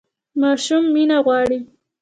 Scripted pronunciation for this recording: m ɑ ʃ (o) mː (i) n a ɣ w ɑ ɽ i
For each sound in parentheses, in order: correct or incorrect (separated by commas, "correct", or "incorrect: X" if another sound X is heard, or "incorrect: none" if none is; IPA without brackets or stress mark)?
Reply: incorrect: u, correct